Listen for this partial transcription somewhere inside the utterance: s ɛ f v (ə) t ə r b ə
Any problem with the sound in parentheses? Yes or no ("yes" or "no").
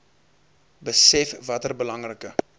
yes